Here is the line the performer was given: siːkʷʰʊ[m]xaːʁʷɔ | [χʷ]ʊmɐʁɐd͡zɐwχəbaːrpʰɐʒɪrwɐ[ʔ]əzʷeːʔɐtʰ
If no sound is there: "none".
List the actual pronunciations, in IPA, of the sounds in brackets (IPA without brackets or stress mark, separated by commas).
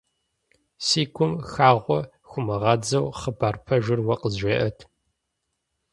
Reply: m, xʷ, q